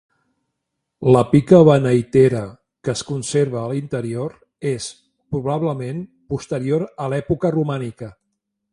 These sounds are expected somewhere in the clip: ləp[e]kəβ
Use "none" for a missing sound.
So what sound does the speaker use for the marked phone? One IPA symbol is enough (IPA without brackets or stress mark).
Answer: i